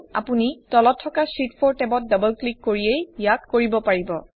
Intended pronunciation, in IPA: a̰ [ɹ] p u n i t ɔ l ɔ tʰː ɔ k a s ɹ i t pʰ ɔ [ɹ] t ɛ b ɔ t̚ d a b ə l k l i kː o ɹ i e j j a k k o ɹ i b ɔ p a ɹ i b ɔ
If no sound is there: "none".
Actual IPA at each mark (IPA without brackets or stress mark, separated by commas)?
none, ɹ